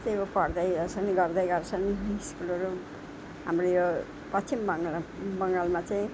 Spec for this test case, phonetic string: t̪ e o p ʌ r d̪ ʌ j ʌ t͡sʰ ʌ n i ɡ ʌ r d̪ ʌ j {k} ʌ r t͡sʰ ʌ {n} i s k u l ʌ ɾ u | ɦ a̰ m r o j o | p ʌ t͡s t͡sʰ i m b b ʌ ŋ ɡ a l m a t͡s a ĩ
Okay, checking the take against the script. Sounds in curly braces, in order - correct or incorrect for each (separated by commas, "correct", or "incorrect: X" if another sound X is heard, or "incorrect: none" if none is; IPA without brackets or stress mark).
incorrect: ɡ, correct